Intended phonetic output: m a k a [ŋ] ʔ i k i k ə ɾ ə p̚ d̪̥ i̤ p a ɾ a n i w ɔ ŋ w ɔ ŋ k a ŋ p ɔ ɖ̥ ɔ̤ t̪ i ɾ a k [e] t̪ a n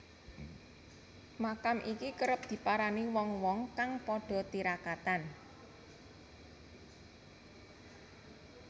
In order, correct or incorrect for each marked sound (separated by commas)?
incorrect, incorrect